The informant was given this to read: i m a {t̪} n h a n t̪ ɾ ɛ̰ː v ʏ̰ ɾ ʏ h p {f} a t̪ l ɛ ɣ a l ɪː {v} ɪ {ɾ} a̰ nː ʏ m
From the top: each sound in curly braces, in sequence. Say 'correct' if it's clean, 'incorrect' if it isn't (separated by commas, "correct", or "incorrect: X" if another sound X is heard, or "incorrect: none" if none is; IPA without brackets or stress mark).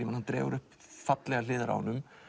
incorrect: none, correct, incorrect: ð, correct